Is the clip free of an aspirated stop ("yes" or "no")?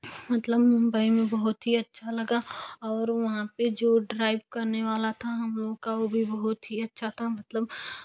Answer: no